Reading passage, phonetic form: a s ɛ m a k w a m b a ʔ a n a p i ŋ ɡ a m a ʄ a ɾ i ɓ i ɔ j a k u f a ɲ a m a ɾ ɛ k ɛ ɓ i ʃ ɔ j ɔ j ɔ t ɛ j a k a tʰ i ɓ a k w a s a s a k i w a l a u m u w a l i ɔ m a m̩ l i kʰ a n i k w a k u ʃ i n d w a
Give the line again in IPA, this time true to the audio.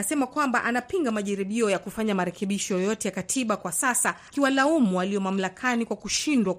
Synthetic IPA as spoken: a s ɛ m a k w a m b a ʔ a n a p i ŋ ɡ a m a ʄ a ɾ i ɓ i ɔ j a k u f a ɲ a m a ɾ ɛ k ɛ ɓ i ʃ ɔ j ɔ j ɔ t ɛ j a k a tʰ i ɓ a k w a s a s a k i w a l a u m u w a l i ɔ m a m̩ l a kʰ a n i k w a k u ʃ i n d w a